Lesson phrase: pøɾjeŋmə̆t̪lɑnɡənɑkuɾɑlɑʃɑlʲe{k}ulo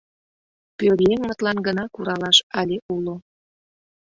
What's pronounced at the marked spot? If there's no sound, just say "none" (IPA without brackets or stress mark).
none